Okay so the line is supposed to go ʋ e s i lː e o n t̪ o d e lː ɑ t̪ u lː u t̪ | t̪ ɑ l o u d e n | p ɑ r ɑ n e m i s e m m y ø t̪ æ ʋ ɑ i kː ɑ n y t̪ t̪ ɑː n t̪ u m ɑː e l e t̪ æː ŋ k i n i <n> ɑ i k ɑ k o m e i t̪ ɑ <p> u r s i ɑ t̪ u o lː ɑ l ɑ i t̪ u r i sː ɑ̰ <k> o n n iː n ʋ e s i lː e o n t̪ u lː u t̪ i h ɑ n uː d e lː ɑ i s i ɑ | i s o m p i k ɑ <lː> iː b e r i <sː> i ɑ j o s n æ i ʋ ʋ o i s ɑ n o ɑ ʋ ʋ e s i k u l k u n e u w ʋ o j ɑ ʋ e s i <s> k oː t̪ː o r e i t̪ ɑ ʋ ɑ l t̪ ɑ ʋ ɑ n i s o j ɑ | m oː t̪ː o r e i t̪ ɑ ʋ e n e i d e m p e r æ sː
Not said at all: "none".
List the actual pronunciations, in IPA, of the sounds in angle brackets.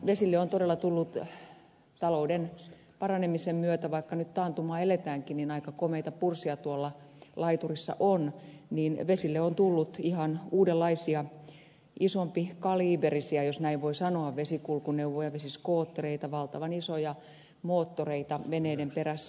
n, p, ʔ, l, s, s

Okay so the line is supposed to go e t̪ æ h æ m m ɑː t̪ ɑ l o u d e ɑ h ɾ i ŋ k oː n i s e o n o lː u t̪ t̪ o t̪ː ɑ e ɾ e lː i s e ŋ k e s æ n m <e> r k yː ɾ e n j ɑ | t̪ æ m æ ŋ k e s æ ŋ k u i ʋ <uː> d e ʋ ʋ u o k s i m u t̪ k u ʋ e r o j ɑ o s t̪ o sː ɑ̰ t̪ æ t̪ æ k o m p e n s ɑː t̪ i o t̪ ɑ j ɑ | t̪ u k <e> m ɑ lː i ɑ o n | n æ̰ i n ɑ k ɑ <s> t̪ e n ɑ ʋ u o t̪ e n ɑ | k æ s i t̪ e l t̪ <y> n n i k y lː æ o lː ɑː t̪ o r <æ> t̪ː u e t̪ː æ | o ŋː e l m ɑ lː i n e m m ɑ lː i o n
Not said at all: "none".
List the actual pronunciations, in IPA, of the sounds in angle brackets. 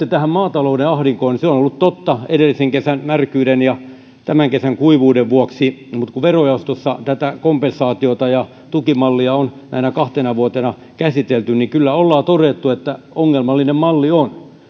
æ, uː, i, h, y, e

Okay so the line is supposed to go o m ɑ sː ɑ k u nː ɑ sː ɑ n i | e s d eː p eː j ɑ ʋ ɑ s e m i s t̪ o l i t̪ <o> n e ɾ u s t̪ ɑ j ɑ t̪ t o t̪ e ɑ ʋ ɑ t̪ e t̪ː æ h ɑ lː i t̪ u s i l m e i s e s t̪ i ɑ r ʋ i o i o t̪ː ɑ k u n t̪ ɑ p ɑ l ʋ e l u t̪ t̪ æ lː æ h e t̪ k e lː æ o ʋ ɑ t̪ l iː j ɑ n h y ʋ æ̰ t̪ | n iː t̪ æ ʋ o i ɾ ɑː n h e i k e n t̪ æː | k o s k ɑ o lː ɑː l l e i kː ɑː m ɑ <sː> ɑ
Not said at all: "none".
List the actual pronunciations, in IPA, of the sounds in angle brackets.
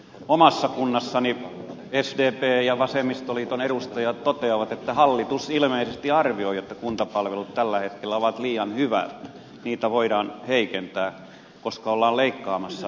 o, sː

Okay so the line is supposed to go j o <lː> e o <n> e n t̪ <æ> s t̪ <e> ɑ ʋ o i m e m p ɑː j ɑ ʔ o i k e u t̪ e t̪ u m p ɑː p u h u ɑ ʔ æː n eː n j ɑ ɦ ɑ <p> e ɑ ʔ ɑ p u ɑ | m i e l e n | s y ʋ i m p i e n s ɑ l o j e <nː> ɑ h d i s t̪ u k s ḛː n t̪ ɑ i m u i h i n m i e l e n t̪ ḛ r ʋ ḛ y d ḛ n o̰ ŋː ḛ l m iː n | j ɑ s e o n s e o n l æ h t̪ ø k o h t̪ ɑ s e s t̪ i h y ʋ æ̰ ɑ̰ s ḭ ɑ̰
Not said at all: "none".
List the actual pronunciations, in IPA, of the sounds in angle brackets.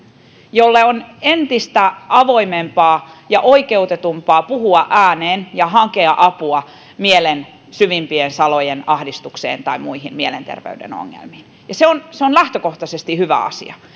lː, n, i, æ, k, n

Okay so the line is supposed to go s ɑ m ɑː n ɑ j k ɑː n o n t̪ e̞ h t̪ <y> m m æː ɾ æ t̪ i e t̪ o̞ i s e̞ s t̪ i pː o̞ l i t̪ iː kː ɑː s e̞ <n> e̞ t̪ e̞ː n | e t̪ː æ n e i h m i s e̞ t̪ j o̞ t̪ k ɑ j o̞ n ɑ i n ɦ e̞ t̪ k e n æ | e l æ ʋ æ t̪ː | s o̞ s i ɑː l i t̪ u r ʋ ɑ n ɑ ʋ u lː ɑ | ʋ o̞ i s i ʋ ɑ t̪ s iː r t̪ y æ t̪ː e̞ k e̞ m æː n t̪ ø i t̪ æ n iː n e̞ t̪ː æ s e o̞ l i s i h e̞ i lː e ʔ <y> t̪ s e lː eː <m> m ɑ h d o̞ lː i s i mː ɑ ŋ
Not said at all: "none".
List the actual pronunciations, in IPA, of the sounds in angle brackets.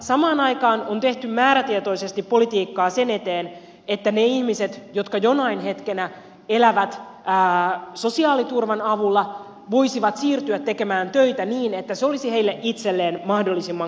y, n, i, n

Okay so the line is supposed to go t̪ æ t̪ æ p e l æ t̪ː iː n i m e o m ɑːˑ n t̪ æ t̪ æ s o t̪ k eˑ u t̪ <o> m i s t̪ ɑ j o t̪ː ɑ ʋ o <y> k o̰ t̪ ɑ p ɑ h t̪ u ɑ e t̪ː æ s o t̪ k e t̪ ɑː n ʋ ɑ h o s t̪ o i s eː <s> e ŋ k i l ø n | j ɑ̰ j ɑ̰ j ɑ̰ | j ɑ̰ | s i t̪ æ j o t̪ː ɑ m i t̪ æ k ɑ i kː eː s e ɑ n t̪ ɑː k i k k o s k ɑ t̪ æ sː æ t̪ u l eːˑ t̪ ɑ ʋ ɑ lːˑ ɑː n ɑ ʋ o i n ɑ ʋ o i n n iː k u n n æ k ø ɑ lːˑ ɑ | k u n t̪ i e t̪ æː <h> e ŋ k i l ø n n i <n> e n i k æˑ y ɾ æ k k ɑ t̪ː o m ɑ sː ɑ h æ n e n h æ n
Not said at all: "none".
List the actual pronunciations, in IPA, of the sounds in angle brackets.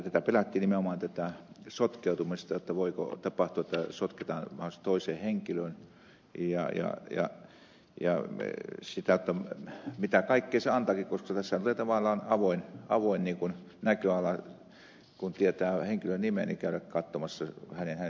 u, i, h, h, m

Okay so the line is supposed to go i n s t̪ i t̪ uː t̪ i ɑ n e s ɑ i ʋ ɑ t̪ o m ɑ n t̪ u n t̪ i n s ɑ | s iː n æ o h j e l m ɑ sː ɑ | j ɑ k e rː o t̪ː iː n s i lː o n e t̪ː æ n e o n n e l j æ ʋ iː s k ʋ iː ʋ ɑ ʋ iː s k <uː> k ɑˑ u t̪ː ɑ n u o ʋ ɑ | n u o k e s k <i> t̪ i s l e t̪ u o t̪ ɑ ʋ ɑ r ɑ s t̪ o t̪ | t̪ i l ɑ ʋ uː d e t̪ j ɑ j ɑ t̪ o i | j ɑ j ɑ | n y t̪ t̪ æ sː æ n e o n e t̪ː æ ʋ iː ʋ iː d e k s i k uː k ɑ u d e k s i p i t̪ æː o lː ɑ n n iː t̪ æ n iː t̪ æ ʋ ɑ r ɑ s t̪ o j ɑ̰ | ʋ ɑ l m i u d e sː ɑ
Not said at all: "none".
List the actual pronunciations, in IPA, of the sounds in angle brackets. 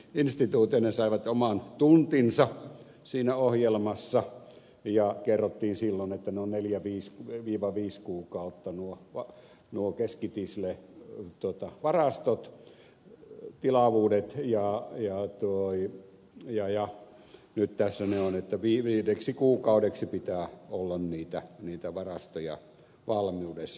uː, i

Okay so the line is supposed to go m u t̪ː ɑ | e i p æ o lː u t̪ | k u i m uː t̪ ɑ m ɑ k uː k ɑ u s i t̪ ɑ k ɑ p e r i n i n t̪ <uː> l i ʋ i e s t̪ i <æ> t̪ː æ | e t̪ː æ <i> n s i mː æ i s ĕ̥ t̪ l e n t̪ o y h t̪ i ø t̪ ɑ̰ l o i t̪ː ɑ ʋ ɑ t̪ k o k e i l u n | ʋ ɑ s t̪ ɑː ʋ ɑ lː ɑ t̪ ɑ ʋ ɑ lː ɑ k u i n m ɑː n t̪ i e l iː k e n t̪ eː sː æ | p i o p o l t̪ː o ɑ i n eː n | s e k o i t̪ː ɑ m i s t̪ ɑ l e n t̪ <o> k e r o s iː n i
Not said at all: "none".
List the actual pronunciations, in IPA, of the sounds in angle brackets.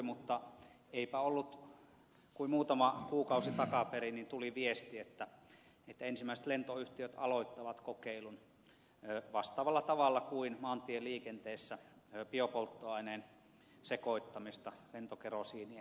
u, e, e, o

